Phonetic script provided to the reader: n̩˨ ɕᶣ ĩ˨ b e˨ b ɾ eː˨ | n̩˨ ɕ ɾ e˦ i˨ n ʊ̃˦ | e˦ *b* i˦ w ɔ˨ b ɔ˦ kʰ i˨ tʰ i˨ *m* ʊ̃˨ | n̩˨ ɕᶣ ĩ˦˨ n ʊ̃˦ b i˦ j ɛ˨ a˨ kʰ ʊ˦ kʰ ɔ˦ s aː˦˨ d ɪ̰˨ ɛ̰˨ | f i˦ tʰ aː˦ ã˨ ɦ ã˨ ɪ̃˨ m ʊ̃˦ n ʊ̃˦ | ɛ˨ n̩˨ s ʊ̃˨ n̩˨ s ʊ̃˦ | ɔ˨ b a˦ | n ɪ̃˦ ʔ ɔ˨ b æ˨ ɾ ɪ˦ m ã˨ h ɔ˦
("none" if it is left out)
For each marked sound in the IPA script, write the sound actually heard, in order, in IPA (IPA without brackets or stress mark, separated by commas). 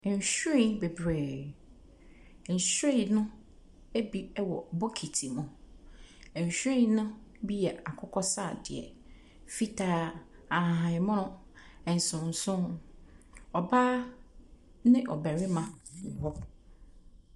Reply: b, m